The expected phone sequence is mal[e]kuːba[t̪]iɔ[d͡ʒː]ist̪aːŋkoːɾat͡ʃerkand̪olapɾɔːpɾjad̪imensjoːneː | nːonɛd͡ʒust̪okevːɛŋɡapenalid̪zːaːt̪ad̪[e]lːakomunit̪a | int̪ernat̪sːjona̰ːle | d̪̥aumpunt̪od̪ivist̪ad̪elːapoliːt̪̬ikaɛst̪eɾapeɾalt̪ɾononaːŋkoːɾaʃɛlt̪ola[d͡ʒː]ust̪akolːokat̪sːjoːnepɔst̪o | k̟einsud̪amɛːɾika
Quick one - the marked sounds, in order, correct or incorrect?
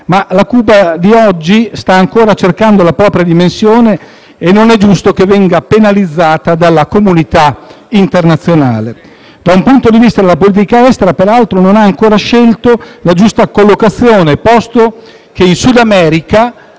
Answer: incorrect, incorrect, correct, incorrect, incorrect

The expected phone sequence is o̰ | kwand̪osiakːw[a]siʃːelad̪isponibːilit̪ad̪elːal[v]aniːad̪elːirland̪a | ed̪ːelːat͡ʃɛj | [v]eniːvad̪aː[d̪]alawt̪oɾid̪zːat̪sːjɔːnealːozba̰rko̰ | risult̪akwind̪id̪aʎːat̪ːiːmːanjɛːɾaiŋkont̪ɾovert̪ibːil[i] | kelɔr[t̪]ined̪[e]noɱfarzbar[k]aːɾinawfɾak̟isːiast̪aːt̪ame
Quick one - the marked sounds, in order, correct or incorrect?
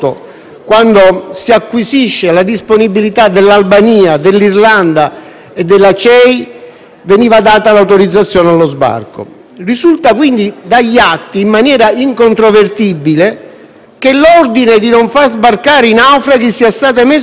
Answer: incorrect, incorrect, correct, incorrect, incorrect, incorrect, incorrect, correct

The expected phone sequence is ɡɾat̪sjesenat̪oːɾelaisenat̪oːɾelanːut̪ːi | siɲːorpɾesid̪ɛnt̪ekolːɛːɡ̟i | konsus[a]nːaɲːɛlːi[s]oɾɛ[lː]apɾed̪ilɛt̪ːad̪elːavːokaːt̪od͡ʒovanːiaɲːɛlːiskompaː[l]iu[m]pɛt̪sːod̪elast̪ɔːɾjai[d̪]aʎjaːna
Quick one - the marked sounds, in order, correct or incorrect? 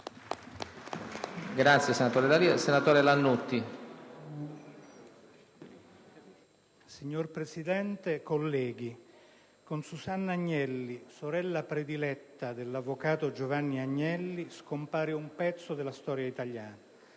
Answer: correct, correct, correct, incorrect, correct, incorrect

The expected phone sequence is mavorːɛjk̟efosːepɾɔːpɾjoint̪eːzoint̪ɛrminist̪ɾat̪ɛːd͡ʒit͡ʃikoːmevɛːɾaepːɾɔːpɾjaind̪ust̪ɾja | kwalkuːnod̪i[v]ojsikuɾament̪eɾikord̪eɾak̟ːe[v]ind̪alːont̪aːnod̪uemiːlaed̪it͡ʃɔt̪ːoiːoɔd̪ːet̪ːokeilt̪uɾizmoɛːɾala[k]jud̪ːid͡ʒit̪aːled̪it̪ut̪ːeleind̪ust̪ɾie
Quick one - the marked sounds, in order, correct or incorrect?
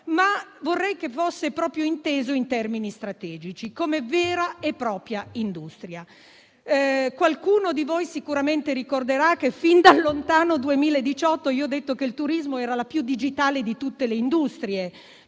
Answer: correct, incorrect, incorrect

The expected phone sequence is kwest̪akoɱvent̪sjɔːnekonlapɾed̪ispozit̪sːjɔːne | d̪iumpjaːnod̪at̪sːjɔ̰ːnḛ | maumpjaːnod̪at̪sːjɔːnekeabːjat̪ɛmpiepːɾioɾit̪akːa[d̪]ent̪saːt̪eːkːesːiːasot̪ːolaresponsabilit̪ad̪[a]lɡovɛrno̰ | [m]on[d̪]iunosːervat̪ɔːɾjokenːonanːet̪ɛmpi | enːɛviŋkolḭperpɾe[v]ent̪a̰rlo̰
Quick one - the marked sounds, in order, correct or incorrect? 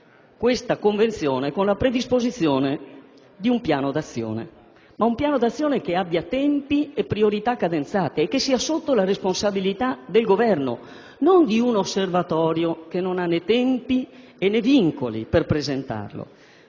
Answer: correct, incorrect, incorrect, correct, incorrect

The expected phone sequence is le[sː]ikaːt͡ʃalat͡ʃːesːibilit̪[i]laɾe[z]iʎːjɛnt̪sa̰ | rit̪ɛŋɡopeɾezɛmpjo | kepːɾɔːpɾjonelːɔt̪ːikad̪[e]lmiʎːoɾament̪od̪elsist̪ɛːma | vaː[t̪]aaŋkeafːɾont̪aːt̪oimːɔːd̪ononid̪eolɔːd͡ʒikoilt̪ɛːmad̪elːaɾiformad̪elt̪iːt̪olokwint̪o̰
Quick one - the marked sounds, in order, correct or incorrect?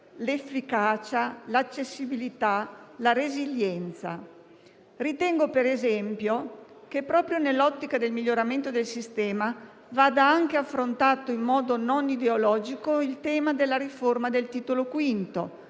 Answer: incorrect, incorrect, correct, correct, incorrect

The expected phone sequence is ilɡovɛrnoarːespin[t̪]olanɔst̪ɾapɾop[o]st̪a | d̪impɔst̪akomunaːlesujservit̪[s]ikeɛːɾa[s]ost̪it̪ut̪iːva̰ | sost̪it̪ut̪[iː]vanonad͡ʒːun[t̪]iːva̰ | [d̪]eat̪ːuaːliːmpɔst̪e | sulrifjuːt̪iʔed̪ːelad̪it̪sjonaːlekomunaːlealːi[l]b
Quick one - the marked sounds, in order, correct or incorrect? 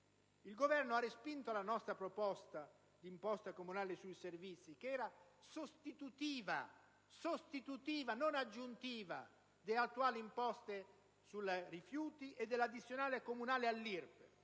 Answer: correct, incorrect, incorrect, correct, correct, correct, correct, incorrect

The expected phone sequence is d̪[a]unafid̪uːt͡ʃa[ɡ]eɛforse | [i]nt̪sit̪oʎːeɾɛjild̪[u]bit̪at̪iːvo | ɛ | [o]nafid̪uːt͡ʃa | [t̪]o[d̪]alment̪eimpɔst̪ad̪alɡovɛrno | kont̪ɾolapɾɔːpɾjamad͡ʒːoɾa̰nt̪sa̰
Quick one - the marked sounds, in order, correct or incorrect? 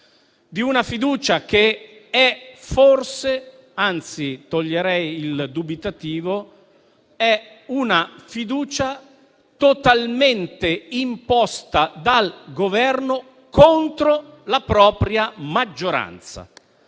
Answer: incorrect, incorrect, incorrect, correct, incorrect, correct, incorrect

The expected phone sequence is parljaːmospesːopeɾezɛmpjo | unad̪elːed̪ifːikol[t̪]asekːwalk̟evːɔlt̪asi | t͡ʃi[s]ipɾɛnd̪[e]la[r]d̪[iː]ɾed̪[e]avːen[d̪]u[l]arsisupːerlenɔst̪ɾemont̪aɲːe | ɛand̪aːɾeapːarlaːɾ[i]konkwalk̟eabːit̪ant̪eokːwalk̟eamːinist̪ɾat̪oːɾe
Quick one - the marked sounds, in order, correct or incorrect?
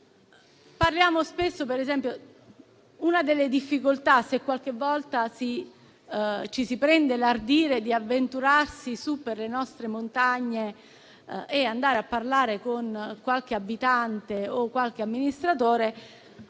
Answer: correct, correct, correct, correct, correct, incorrect, incorrect, incorrect, incorrect

